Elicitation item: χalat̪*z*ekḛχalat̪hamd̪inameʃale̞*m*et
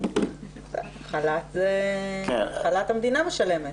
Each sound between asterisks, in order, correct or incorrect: correct, correct

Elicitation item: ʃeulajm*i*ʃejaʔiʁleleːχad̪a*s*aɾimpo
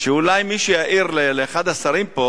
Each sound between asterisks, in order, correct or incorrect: correct, correct

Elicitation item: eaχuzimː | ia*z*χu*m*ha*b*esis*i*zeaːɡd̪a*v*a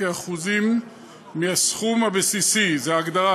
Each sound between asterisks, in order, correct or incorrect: incorrect: s, correct, correct, correct, incorrect: ʁ

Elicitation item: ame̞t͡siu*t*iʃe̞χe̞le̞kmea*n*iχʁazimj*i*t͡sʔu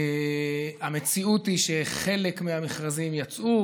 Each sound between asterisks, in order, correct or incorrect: correct, incorrect: m, incorrect: a

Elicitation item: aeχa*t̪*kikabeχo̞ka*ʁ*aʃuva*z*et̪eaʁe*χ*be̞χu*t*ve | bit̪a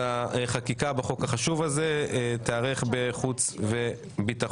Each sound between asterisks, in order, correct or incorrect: incorrect: none, incorrect: χ, correct, correct, incorrect: t͡s

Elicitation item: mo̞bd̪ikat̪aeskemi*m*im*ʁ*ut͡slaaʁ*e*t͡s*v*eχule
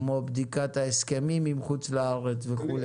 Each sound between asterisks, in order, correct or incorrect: correct, incorrect: χ, correct, correct

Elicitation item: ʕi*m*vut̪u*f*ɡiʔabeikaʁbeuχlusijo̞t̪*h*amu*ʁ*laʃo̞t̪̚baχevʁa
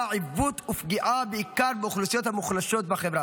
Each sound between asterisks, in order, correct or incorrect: incorrect: none, correct, correct, incorrect: χ

